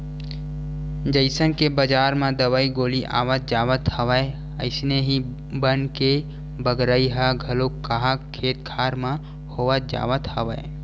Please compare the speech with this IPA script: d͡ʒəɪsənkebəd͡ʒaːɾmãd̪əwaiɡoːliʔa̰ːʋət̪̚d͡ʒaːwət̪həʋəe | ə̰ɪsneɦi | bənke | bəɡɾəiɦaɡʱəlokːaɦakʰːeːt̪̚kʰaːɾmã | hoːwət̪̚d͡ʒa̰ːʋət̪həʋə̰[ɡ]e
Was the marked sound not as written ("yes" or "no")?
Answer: yes